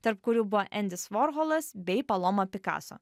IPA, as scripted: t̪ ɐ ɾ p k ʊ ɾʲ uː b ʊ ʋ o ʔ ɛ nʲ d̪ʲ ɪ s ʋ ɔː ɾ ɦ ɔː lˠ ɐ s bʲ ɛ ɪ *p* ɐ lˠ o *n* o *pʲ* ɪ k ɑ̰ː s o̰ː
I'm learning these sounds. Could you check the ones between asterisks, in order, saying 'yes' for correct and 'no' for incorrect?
yes, no, yes

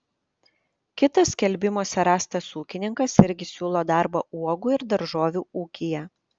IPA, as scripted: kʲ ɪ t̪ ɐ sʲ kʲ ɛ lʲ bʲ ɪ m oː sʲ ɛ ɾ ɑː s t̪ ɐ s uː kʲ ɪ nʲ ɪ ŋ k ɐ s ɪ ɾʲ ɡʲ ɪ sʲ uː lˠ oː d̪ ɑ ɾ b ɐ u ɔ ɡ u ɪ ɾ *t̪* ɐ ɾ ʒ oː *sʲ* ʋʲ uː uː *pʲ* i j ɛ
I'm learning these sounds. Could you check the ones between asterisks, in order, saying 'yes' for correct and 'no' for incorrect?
no, no, no

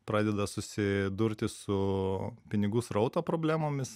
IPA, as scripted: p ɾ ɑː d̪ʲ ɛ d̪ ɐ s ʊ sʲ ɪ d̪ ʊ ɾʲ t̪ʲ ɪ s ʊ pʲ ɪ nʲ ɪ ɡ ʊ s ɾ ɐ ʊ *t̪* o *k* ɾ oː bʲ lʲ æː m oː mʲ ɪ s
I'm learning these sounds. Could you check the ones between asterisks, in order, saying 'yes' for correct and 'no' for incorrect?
yes, no

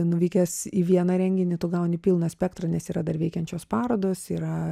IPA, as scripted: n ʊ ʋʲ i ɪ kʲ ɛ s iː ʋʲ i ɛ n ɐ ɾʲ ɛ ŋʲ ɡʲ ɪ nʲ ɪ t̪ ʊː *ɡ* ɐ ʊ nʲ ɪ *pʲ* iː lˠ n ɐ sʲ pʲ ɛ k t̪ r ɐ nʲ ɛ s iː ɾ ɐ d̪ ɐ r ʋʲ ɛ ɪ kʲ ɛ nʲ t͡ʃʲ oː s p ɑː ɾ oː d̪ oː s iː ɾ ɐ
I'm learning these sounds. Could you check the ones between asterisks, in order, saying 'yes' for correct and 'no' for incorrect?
yes, yes

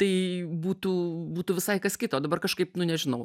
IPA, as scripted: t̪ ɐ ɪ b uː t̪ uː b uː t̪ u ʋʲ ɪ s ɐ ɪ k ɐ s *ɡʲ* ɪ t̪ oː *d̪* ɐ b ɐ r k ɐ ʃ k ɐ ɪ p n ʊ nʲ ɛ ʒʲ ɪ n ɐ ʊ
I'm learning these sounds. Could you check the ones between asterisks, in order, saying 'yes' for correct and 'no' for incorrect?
no, yes

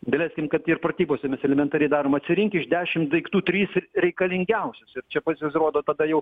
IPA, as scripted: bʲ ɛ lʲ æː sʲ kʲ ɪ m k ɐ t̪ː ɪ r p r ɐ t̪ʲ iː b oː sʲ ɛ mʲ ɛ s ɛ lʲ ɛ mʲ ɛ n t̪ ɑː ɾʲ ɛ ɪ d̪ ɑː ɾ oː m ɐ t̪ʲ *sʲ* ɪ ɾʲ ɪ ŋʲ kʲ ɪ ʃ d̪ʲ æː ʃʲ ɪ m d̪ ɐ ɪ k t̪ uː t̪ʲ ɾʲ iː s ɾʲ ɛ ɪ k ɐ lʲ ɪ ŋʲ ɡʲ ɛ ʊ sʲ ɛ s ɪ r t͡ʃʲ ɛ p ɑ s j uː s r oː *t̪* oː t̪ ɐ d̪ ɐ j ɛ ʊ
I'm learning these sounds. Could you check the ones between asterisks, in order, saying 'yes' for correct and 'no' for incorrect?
yes, no

